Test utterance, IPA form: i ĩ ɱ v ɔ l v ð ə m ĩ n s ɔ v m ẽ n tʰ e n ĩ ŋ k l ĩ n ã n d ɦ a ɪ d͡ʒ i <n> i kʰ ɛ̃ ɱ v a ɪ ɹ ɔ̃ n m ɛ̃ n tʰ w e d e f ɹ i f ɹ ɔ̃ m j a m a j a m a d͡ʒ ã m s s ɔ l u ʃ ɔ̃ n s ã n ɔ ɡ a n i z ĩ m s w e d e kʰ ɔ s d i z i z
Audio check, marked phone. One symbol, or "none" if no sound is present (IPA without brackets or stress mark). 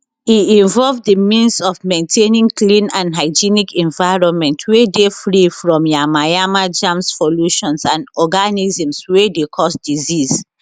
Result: n